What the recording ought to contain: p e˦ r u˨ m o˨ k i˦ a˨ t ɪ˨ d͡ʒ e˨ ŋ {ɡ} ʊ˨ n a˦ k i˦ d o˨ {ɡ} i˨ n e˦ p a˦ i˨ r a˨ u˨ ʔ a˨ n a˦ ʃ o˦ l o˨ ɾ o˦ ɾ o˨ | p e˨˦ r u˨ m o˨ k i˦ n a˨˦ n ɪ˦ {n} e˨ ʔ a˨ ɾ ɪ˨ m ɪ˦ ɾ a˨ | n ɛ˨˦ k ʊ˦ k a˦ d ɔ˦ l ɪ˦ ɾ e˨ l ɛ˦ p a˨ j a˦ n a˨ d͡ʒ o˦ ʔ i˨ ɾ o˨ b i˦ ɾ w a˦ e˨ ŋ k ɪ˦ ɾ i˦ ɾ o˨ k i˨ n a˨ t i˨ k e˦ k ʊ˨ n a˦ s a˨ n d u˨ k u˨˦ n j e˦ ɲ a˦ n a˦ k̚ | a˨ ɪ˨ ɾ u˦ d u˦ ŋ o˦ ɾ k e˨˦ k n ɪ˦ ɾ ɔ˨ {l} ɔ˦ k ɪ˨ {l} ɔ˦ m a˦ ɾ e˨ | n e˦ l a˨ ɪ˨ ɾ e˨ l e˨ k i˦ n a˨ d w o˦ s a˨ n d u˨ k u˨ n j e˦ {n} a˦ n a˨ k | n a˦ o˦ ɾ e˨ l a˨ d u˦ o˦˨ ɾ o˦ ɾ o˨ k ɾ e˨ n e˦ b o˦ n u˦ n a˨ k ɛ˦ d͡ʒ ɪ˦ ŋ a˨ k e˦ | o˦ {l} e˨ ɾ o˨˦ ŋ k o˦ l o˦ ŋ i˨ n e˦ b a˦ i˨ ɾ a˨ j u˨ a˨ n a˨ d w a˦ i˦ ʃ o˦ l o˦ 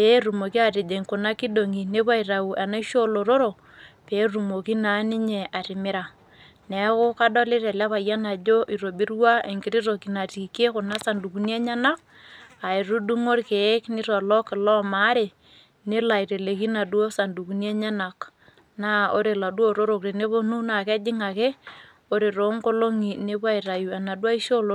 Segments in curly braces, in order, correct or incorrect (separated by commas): incorrect, incorrect, incorrect, correct, correct, incorrect, incorrect